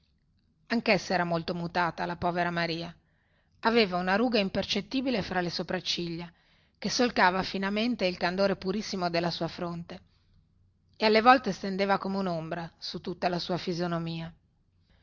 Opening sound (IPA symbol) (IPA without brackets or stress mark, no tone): a